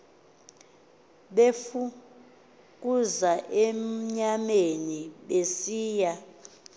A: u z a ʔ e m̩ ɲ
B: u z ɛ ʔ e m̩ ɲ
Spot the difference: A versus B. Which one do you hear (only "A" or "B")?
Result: A